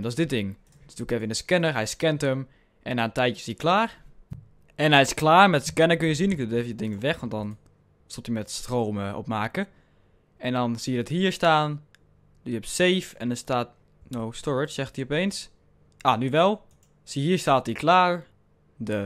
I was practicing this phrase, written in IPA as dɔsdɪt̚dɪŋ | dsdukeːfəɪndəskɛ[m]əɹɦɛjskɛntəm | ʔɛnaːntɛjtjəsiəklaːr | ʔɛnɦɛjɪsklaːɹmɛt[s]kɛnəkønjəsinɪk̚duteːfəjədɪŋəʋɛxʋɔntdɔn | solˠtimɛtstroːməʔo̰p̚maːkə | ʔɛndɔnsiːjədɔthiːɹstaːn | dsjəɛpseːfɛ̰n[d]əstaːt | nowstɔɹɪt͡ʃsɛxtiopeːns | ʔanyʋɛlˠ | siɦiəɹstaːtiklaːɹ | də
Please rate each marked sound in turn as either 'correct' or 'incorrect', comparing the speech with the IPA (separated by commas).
incorrect, correct, correct